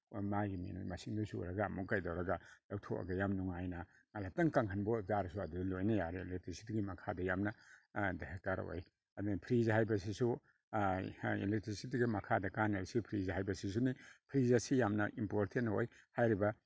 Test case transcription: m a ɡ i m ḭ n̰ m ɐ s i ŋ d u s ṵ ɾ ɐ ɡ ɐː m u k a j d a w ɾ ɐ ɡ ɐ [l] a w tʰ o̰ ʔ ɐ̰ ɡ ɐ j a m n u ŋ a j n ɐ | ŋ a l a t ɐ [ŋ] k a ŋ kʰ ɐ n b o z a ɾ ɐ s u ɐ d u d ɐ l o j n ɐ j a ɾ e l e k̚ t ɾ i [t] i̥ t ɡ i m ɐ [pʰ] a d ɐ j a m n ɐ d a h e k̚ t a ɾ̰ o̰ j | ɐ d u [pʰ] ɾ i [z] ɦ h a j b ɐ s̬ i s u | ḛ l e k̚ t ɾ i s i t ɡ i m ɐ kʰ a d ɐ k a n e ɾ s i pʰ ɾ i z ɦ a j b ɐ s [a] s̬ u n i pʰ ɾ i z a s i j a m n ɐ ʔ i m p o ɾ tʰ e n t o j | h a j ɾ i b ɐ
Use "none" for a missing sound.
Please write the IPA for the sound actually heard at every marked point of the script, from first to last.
l, ŋ, s, kʰ, pʰ, z, i

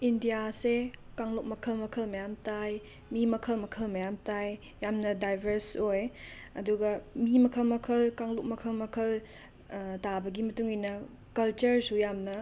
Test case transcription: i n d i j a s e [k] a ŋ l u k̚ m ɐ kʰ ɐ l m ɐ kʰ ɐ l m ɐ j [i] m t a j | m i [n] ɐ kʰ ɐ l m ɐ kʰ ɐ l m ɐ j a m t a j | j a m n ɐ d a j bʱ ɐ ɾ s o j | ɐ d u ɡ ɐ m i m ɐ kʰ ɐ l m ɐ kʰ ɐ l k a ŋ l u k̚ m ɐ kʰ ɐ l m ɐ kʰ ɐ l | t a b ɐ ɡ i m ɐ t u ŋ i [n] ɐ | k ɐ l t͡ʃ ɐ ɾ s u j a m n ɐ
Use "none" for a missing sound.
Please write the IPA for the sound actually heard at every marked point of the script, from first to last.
k, a, m, n

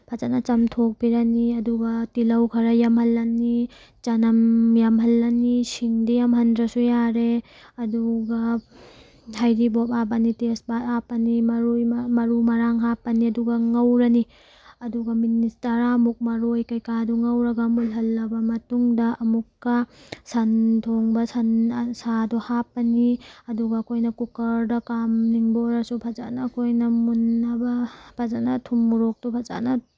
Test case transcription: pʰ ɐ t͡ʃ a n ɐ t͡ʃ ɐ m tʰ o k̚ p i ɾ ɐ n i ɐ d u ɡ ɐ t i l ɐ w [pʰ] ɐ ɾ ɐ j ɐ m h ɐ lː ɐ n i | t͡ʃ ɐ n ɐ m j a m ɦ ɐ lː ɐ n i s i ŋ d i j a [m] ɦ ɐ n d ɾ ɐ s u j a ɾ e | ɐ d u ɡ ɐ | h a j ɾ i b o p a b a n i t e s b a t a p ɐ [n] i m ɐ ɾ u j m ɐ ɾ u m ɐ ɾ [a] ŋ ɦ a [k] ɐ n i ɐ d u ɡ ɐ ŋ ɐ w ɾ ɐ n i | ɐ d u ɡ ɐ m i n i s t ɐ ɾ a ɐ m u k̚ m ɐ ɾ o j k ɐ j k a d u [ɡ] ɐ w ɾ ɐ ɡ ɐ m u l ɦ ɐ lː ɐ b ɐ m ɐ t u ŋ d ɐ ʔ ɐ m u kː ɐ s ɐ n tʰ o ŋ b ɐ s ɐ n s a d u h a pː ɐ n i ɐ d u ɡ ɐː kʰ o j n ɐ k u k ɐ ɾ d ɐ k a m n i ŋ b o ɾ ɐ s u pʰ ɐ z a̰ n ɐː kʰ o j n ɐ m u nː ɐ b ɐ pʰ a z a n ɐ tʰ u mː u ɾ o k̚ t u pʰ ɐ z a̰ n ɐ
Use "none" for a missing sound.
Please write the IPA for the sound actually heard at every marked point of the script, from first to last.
kʰ, m, n, a, p, ŋ

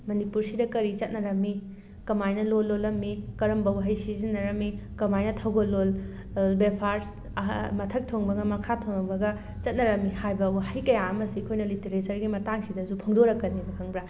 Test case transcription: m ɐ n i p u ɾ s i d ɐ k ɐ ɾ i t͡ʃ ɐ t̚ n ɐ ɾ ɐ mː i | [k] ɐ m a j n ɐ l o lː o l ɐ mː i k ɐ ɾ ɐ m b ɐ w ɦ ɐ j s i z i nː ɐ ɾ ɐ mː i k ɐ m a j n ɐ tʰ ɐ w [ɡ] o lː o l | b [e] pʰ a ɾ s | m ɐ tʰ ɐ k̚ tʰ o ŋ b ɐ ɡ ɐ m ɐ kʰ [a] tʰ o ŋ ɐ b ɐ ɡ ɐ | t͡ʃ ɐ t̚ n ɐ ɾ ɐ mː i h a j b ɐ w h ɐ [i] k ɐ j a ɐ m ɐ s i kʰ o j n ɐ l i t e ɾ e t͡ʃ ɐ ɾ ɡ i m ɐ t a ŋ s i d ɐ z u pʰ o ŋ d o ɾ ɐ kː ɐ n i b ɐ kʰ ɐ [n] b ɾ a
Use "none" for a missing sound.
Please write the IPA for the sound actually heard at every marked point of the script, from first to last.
k, ɡ, e, a, j, ŋ

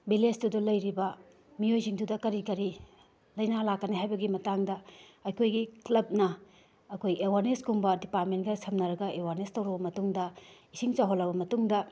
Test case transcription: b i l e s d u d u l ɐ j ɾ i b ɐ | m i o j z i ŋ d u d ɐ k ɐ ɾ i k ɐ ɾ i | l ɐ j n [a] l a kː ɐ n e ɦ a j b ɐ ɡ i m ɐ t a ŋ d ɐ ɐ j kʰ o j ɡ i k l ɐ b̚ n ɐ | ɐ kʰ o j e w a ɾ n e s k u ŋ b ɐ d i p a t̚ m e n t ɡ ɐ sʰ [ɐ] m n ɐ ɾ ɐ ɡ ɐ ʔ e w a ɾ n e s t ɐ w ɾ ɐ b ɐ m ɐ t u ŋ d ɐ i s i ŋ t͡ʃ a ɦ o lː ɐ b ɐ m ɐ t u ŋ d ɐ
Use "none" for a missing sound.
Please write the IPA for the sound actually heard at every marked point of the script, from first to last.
a, ɐ

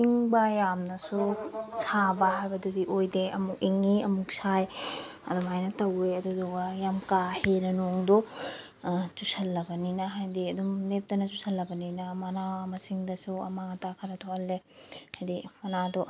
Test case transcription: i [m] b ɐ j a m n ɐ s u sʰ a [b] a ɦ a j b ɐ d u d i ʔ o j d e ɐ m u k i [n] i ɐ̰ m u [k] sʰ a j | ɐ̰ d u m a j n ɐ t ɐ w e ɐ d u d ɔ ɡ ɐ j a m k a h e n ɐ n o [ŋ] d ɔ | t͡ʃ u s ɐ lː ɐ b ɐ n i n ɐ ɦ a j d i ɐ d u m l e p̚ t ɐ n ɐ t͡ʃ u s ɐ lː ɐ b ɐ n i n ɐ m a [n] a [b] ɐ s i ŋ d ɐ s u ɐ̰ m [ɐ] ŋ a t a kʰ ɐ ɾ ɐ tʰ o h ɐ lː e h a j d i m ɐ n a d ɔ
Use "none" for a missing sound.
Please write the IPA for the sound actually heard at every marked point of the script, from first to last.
ŋ, b, ŋ, k, ŋ, n, m, a

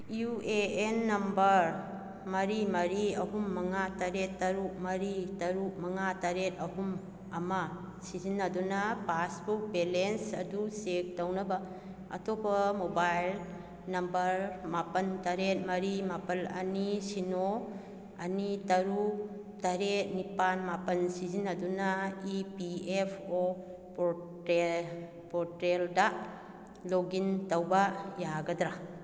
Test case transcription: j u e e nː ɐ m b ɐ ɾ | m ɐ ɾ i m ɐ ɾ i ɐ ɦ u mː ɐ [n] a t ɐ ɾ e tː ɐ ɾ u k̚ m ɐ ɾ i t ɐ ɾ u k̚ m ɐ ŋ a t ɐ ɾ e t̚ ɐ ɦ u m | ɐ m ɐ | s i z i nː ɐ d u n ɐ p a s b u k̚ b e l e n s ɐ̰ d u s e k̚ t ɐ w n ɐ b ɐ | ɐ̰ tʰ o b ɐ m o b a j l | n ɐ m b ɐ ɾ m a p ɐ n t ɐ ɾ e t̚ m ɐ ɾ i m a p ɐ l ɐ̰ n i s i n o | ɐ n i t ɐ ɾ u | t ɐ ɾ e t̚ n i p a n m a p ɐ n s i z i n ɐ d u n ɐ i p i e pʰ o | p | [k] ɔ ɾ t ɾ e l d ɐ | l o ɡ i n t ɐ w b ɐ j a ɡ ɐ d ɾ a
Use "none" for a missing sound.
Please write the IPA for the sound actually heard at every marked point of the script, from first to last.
ŋ, p

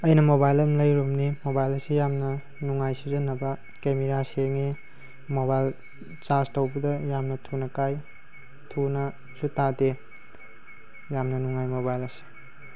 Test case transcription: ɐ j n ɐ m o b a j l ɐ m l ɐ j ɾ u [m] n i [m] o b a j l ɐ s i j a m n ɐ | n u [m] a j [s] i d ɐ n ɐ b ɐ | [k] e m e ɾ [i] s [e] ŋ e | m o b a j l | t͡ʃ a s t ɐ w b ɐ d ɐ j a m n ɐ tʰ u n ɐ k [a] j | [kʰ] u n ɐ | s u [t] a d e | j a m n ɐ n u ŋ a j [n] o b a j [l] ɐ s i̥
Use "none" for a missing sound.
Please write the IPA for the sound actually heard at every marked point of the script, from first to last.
m, m, ŋ, s, k, a, e, a, tʰ, t, m, l

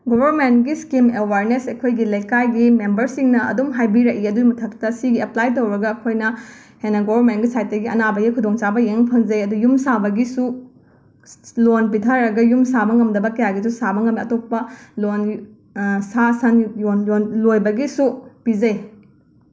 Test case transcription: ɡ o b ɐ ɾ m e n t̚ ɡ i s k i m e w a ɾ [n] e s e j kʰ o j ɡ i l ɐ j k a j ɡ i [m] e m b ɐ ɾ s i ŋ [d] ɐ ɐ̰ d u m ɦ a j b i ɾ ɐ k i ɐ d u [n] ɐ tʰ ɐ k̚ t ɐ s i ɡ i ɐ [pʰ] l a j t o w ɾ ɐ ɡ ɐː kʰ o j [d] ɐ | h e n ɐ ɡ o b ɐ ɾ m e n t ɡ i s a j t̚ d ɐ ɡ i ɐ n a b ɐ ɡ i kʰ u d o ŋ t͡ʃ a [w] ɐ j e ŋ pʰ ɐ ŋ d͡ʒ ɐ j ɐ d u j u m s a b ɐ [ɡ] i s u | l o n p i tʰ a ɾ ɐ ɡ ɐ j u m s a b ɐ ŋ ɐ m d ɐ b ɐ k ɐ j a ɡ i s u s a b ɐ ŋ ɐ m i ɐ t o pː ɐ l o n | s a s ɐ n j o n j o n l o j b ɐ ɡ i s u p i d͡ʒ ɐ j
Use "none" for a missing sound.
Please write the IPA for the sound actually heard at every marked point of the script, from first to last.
n, m, n, m, p, n, b, ɡ

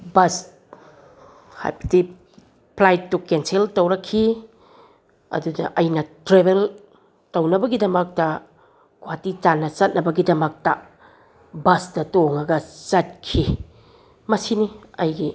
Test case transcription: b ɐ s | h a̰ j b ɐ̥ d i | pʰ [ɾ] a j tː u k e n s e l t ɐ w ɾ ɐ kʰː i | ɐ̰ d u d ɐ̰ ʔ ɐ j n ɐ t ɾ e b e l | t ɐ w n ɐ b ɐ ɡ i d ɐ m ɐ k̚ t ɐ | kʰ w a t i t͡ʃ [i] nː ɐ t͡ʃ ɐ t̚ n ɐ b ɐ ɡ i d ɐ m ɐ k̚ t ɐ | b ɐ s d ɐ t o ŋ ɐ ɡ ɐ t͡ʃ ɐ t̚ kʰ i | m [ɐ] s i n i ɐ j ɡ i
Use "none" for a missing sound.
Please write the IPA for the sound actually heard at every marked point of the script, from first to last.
l, a, ɐ

